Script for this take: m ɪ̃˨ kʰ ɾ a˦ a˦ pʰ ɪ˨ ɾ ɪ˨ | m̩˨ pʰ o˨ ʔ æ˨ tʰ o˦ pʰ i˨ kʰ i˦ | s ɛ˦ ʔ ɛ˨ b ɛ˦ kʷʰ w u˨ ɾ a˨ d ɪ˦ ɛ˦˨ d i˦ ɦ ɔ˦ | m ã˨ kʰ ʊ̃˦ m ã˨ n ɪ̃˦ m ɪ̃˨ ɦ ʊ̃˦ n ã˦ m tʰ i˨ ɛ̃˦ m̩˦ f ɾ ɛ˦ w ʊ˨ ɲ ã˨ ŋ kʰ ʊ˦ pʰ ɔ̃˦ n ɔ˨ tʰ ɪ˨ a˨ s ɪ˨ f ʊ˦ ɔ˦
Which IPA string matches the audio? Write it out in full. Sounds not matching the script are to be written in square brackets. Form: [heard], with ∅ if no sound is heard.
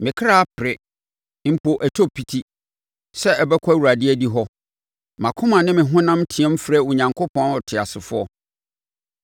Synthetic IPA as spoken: m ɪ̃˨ kʰ ɾ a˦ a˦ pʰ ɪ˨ ɾ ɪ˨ | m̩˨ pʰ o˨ ʔ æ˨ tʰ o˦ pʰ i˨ [tʰ] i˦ | s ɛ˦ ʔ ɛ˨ b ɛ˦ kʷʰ w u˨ ɾ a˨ d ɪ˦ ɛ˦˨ d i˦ ɦ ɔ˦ | m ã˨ kʰ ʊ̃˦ m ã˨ n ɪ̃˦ m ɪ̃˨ ɦ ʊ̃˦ n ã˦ m tʰ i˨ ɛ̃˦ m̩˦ f ɾ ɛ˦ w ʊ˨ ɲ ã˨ ŋ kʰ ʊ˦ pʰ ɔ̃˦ n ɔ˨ tʰ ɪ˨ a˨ s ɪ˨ f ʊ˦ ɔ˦

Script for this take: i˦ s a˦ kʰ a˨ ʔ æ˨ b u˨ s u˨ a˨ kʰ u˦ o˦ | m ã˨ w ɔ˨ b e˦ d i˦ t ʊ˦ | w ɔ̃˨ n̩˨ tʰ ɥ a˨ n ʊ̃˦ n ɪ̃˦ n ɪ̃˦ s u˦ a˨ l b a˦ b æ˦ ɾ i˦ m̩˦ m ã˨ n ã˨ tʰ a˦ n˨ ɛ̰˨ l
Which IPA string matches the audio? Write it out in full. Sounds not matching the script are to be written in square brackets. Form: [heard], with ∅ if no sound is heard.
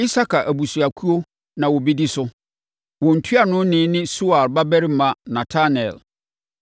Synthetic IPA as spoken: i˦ s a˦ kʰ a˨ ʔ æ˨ b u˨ s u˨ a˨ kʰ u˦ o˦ | [n] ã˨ w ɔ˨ b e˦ d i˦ [s] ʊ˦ | w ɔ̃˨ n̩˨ tʰ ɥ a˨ n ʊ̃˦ n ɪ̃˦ n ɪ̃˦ s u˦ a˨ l b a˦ b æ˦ ɾ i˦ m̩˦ m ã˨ n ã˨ tʰ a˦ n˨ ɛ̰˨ l

